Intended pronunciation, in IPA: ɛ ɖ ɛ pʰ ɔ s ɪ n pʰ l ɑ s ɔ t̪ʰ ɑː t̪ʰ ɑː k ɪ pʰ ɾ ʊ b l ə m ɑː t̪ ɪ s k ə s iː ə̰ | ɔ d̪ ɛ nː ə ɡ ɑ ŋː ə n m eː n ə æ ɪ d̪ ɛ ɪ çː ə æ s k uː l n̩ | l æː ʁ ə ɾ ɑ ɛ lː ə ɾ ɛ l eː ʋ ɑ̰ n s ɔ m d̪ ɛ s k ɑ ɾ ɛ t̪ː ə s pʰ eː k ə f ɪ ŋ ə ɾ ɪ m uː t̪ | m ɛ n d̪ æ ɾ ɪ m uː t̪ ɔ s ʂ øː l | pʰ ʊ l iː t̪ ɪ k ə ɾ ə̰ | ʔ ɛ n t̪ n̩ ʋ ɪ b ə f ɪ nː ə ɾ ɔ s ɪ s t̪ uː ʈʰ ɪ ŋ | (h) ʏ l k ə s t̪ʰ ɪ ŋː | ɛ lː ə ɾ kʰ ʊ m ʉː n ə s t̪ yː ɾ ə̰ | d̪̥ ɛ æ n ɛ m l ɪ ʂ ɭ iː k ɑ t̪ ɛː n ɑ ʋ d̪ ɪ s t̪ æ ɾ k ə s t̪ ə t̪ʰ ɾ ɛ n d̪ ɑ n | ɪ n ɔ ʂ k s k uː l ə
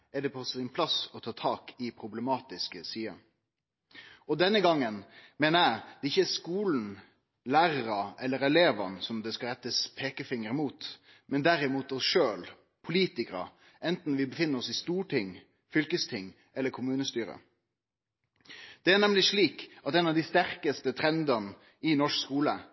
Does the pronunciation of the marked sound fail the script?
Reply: yes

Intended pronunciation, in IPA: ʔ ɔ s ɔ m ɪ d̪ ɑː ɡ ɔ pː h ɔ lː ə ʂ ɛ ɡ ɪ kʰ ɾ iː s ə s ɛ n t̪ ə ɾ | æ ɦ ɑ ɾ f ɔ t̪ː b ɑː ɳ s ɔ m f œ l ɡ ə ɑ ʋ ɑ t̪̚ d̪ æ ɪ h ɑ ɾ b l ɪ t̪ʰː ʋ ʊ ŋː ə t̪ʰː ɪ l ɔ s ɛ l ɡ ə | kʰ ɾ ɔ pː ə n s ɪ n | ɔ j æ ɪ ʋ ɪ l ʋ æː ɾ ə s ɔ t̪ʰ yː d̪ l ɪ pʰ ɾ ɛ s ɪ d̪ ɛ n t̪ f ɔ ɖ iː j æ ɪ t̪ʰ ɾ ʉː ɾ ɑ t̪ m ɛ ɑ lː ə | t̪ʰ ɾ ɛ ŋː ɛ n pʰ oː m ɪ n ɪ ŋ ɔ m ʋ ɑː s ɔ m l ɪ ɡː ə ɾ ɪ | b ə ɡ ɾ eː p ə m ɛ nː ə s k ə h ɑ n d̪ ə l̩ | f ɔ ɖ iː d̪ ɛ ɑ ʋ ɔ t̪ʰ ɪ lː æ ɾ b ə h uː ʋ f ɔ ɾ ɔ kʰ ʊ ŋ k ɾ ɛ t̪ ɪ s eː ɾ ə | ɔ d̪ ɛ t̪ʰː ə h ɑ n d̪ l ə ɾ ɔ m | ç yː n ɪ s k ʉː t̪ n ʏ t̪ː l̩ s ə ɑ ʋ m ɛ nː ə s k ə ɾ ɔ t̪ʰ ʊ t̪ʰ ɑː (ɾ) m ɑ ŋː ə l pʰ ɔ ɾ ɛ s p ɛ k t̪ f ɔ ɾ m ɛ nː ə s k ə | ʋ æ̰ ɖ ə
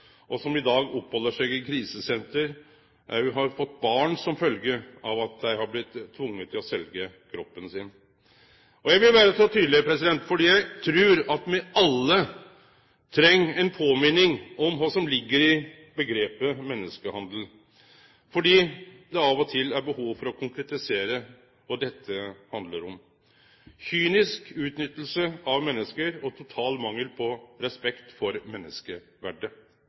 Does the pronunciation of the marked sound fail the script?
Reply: yes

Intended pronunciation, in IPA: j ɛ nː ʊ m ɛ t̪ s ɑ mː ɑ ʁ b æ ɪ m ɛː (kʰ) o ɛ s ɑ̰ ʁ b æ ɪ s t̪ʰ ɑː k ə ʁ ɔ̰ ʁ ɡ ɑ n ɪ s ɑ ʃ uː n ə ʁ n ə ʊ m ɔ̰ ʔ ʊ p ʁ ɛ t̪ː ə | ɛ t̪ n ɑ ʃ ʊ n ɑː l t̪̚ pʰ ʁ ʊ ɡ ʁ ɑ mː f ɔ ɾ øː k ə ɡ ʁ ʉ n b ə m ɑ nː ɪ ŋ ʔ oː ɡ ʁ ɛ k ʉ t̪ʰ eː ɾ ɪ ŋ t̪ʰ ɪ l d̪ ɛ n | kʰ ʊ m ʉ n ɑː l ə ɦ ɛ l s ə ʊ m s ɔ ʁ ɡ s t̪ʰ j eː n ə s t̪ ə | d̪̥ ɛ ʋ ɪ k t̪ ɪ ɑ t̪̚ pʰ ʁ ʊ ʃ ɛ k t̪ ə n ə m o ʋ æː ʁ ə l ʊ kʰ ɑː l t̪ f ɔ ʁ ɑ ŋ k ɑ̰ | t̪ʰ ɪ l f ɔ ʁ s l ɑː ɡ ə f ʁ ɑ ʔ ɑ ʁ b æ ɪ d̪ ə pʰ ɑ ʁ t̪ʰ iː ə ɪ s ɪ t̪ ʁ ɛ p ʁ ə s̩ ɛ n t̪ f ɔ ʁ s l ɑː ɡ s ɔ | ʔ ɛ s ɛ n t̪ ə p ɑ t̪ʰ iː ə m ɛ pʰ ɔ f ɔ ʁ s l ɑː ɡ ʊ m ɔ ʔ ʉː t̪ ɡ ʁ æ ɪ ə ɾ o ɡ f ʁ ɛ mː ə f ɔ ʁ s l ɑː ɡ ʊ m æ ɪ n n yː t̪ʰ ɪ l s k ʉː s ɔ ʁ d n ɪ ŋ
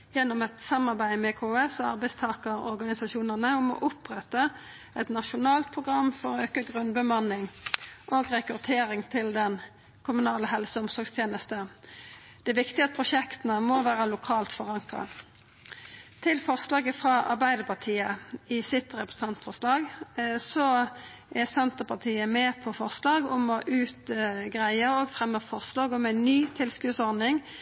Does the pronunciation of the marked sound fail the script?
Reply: no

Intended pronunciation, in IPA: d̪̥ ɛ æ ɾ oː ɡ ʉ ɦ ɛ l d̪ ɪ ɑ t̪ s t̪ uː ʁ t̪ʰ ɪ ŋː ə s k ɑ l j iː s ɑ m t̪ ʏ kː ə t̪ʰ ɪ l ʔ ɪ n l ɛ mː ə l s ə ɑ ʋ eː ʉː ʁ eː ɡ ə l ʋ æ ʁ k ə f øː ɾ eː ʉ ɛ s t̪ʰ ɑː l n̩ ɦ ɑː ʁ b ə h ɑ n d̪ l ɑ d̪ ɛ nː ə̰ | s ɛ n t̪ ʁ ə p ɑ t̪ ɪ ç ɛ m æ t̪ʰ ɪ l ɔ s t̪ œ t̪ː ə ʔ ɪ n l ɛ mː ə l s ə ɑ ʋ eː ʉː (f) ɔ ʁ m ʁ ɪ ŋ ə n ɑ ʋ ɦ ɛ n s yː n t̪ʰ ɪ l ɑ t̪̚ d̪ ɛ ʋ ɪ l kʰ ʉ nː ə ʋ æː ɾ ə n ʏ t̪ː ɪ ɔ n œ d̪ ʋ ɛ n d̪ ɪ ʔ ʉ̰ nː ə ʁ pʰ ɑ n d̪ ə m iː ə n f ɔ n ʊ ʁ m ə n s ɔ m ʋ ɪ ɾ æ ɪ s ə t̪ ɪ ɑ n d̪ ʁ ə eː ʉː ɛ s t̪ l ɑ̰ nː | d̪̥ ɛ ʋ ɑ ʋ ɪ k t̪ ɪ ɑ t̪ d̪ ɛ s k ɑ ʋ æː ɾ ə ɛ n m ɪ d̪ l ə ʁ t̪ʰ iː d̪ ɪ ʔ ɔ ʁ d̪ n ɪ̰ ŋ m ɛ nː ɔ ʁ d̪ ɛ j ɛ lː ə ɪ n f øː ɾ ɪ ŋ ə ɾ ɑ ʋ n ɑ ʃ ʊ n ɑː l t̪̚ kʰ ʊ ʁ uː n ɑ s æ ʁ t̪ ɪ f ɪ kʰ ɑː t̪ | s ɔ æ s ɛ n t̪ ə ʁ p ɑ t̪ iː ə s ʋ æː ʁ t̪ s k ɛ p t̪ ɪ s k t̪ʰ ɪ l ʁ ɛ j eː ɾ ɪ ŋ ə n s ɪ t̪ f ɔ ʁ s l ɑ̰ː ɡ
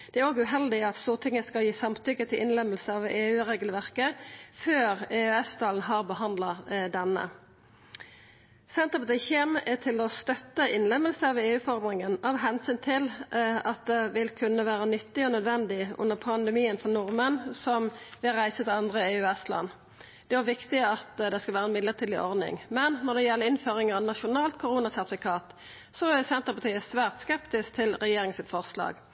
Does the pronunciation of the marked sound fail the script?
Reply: no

